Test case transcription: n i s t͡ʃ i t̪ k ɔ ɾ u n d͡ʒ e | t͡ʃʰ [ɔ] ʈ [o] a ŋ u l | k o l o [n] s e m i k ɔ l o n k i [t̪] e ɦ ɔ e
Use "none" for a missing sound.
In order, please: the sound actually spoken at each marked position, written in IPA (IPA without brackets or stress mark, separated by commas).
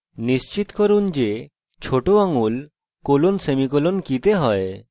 o, o, n, t̪